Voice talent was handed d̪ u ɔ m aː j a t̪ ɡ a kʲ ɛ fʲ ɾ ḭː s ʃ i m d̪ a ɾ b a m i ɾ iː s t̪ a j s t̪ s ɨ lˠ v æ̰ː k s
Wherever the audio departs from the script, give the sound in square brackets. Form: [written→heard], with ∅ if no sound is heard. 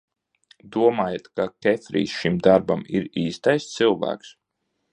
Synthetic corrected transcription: d̪ u ɔ m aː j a t̪ [ɡ→k] a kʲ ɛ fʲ ɾ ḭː s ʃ i m d̪ a ɾ b a m i ɾ iː s t̪ a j s t̪ s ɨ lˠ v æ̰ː k s